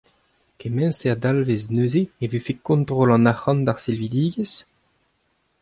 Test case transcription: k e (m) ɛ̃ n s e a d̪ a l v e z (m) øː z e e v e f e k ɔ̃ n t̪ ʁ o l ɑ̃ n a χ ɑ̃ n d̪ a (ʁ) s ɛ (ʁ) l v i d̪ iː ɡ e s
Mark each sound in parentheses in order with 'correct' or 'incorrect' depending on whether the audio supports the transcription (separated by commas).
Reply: correct, incorrect, correct, incorrect